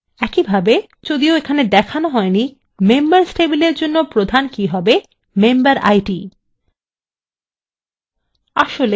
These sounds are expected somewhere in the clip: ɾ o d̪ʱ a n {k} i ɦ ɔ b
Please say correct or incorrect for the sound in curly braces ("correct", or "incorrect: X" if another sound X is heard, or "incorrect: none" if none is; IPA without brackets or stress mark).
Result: correct